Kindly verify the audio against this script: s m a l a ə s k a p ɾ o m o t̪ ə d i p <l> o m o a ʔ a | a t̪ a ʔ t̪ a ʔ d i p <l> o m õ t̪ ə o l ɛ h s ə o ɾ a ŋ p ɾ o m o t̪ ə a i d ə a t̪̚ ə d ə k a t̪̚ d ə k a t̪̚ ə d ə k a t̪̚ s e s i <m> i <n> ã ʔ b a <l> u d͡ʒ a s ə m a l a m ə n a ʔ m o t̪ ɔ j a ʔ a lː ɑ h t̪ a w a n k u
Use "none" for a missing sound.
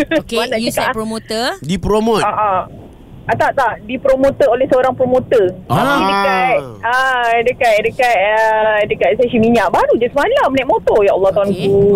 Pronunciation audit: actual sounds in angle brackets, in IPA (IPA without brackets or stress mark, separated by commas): ɾ, ɾ, m, ɲ, ɾ